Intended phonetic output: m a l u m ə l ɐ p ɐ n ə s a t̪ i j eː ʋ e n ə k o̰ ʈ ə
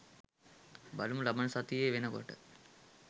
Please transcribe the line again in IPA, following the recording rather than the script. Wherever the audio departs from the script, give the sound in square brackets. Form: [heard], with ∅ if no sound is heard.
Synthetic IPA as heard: [b] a l u m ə l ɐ [b] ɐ n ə s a t̪ i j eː ʋ e n ə k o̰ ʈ ə